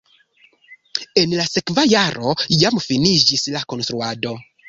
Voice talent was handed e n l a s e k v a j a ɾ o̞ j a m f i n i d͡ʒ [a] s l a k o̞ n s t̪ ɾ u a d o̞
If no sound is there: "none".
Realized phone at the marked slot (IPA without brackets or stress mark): i